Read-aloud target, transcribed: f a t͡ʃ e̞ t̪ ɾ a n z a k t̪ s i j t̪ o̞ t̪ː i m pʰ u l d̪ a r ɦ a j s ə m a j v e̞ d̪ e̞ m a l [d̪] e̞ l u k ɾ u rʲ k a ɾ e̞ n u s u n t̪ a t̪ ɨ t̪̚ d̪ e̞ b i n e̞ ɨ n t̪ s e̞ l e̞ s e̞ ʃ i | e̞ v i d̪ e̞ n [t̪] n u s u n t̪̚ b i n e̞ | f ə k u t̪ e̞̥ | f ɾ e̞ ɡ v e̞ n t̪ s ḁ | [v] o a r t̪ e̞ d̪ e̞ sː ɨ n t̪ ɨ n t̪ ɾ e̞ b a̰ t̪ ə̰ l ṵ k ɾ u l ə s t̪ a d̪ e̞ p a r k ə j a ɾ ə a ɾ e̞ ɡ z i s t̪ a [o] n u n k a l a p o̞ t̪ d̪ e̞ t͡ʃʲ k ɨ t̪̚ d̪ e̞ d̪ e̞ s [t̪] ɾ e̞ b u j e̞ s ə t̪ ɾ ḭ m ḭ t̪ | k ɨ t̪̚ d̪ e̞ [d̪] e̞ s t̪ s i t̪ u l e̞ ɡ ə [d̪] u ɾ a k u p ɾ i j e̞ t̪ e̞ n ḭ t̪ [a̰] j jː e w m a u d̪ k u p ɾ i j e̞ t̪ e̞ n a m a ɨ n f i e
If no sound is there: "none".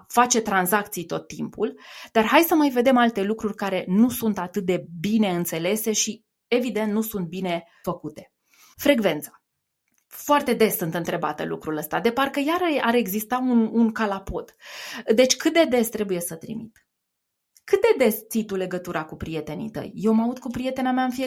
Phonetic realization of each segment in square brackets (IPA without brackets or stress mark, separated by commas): t̪, t̪, f, u, t̪, d̪, t̪, ə̰